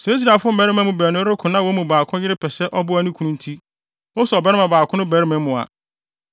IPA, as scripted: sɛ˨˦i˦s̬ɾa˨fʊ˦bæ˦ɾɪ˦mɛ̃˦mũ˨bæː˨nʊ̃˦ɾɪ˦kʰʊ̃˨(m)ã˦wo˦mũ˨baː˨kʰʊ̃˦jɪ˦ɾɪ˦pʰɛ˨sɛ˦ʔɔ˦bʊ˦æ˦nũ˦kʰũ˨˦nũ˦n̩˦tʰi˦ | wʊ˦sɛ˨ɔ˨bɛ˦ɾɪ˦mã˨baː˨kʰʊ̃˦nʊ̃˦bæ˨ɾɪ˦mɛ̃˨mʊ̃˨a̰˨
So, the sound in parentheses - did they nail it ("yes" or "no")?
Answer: no